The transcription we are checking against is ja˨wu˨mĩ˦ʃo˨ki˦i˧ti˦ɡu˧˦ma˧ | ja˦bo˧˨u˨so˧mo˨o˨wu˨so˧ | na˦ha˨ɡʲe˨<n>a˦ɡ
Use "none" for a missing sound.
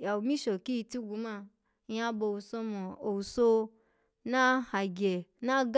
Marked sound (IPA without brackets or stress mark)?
n